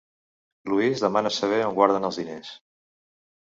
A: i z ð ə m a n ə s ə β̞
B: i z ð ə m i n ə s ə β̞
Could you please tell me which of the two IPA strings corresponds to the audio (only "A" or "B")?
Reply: A